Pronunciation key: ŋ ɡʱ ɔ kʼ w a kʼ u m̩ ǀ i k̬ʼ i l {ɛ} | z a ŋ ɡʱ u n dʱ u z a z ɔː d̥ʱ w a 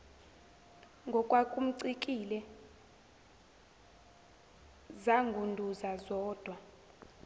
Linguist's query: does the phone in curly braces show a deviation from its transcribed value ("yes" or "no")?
no